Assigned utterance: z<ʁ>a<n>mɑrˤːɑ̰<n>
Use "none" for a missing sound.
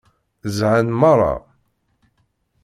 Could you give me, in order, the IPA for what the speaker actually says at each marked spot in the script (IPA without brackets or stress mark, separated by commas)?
ʕ, n, none